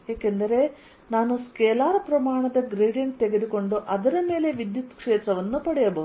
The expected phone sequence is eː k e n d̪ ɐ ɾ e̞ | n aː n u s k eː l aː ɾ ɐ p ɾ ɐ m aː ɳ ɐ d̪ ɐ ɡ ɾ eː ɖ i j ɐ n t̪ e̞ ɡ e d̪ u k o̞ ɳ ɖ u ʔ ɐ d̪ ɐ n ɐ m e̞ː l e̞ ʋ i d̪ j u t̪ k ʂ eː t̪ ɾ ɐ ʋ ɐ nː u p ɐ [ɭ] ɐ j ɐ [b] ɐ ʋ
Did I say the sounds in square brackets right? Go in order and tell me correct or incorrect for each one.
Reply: incorrect: ɽ, correct

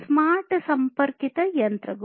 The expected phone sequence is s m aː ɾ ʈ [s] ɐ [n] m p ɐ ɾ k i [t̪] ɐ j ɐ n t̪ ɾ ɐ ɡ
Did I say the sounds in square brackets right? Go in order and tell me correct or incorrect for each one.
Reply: correct, incorrect: none, correct

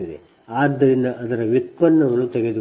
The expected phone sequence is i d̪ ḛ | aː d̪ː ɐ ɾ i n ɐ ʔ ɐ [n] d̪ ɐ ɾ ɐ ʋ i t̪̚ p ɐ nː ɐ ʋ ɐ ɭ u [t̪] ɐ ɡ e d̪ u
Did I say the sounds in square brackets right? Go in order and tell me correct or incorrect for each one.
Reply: incorrect: none, correct

